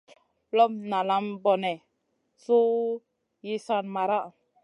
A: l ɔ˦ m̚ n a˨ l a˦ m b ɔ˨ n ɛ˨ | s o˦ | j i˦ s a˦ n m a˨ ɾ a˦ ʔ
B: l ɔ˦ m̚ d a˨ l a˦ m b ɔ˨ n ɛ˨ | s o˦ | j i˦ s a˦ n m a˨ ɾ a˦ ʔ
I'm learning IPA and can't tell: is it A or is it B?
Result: A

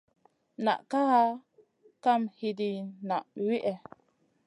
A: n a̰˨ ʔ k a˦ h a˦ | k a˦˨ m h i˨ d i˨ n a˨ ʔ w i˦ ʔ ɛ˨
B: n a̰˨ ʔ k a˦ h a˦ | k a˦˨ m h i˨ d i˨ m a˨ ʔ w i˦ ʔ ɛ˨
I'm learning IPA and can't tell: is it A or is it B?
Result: A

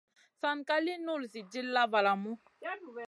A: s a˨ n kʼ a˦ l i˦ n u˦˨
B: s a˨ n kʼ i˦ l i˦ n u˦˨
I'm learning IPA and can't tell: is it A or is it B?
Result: A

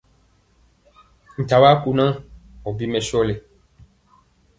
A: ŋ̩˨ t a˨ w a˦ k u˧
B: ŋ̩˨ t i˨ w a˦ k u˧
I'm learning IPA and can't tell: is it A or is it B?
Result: A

